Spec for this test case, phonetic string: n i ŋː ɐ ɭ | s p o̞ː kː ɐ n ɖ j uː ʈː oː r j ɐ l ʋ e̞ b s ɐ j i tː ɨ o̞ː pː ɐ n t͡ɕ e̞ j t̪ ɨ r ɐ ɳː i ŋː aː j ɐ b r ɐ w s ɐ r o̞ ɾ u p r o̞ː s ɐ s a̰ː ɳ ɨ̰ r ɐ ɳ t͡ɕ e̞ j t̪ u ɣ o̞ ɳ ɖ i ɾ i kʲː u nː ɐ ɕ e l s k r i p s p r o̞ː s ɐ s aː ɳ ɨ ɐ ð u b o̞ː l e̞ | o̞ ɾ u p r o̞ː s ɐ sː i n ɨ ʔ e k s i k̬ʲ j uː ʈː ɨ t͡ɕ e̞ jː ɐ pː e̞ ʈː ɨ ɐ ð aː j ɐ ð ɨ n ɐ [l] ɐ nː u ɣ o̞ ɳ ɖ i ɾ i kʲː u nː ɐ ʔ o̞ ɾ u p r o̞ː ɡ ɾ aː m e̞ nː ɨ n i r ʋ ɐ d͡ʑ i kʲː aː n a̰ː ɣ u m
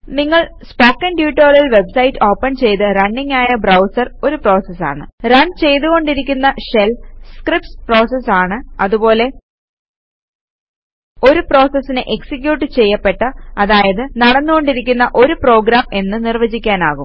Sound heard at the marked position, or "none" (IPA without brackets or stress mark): ɽ